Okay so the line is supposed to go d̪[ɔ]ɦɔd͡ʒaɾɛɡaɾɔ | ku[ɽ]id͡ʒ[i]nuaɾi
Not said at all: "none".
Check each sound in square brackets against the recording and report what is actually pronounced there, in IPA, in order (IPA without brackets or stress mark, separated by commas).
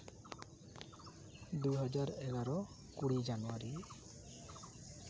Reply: u, ɽ, a